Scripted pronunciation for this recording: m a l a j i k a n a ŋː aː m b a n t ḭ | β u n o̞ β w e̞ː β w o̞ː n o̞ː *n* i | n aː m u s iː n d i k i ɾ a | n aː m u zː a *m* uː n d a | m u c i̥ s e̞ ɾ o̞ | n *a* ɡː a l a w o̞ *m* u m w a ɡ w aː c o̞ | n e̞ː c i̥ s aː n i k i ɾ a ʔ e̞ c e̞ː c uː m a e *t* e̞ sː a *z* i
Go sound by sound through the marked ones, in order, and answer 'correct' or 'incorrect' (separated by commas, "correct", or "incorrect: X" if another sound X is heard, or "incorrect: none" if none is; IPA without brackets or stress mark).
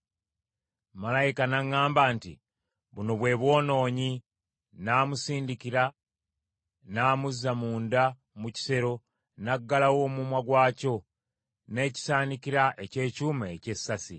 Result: incorrect: ɲ, correct, correct, correct, incorrect: c, incorrect: s